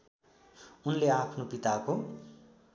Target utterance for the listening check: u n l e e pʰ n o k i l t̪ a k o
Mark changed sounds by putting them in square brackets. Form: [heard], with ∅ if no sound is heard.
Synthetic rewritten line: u n l e [a] pʰ n o [p] i [∅] t̪ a k o